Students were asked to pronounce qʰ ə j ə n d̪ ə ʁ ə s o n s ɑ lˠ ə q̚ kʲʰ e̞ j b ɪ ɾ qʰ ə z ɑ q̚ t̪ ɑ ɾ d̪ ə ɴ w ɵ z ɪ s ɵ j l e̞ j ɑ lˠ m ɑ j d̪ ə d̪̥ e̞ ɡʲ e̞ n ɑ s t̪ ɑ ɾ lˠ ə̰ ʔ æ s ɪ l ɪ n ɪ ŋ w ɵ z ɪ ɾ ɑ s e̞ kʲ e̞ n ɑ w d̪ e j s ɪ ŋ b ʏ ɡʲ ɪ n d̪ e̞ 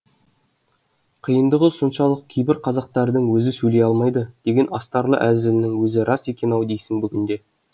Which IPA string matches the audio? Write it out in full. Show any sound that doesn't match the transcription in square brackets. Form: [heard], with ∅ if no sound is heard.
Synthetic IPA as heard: qʰ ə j ə n d̪ ə ʁ ə s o n [ʃ] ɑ lˠ ə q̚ kʲʰ e̞ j b ɪ ɾ qʰ [ɑ] z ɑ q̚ t̪ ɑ ɾ d̪ ə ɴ w ɵ z ɪ s ɵ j l e̞ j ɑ lˠ m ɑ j d̪ ə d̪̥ e̞ ɡʲ e̞ n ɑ s t̪ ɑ ɾ lˠ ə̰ ʔ æ [z] ɪ l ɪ n ɪ ŋ w ɵ z ɪ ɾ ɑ s e̞ kʲ e̞ n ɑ w d̪ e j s ɪ ŋ b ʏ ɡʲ ɪ n d̪ e̞